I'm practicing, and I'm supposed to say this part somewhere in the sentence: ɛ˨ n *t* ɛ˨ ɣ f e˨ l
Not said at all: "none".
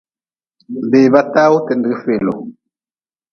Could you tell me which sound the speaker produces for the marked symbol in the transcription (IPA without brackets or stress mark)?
d